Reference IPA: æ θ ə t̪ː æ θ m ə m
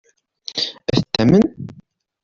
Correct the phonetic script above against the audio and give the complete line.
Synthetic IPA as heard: æ θ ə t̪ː æ m ə n